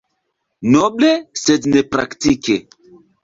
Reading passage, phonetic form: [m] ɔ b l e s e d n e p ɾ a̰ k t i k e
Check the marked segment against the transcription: incorrect: n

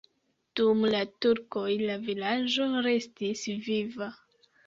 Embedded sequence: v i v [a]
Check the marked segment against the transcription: correct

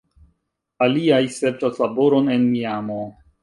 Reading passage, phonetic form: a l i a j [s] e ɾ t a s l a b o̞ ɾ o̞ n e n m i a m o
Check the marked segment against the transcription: correct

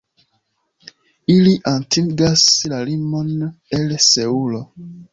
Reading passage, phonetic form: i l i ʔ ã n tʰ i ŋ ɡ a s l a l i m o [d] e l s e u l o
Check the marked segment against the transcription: incorrect: n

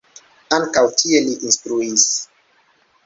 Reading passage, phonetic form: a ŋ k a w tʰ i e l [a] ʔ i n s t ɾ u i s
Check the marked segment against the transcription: incorrect: i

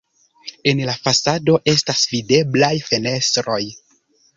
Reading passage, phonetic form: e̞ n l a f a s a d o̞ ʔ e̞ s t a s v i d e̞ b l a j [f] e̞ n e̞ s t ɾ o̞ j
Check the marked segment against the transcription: correct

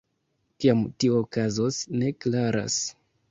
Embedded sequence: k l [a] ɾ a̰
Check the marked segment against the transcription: correct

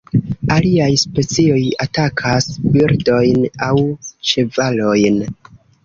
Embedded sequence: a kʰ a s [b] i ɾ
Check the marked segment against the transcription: correct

